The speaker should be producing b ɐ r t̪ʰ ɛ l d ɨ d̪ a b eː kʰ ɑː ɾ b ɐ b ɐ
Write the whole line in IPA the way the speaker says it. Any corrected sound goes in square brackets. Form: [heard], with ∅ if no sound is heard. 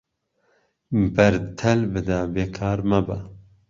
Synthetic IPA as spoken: b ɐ [ɾ] t̪ʰ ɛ l [b] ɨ d̪ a b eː kʰ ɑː ɾ [m] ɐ b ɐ